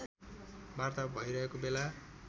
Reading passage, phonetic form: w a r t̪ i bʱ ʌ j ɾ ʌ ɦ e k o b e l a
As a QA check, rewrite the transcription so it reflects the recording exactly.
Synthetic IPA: b a r t̪ a bʱ ʌ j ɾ ʌ ɦ e k o b e l a